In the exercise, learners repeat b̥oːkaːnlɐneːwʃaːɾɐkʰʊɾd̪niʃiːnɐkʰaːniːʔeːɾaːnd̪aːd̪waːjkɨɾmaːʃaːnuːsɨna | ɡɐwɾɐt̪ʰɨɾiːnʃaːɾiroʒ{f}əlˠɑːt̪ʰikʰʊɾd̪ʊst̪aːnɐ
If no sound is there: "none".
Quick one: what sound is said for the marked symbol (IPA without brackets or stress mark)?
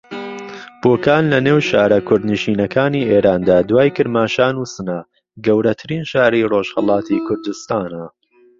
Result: h